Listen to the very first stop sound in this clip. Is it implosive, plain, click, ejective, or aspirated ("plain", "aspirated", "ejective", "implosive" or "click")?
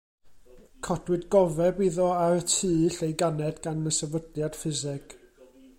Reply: aspirated